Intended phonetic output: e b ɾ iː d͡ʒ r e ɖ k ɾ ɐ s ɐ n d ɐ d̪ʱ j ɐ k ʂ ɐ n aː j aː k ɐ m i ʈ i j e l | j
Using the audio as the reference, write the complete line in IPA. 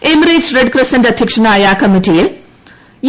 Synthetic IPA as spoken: e m ɾ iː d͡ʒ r e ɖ k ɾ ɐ s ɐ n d ɐ d̪ʱ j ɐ k ʂ ɐ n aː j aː k ɐ m i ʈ i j i l | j